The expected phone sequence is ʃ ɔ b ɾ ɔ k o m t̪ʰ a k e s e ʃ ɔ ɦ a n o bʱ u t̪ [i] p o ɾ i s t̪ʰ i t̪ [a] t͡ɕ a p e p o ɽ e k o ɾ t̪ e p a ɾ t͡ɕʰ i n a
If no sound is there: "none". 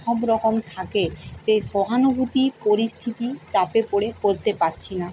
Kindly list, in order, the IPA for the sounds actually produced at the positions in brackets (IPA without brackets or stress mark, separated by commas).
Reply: i, i